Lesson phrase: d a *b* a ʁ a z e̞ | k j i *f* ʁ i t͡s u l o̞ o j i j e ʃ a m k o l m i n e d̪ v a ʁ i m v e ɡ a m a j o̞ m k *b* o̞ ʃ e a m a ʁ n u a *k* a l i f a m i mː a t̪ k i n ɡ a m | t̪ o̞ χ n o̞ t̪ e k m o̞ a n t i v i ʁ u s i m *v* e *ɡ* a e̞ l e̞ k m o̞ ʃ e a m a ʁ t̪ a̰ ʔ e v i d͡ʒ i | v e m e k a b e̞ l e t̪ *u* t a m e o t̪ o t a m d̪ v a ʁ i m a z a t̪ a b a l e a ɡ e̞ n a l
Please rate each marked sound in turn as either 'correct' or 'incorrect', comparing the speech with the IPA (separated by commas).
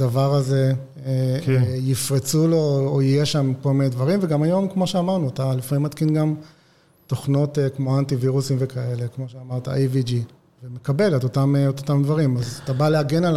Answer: incorrect, correct, incorrect, incorrect, correct, incorrect, incorrect